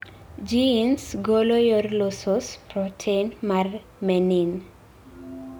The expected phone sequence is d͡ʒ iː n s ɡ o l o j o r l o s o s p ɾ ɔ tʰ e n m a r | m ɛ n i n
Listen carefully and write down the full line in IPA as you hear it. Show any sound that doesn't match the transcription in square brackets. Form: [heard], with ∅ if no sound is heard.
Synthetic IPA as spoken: d͡ʒ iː n s ɡ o l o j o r l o s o s p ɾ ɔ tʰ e n m a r | m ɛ n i n